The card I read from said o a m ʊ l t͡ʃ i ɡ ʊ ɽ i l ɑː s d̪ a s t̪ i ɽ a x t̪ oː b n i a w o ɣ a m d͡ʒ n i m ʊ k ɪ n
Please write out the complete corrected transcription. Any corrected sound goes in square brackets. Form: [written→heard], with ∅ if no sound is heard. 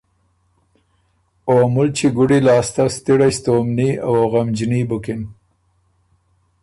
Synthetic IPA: o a m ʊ l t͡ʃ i ɡ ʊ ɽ i l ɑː s [d̪→t̪] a s t̪ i ɽ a [x→s] t̪ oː [b→m] n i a w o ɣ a m d͡ʒ n i [m→b] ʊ k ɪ n